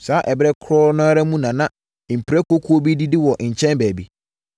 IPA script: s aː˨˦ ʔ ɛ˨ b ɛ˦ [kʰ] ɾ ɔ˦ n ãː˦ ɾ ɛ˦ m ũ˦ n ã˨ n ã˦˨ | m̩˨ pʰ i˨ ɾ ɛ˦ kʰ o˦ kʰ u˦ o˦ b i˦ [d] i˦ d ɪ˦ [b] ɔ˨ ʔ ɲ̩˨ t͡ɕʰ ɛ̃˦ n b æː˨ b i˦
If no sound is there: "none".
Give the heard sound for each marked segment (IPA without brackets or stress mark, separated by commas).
kʰ, d, w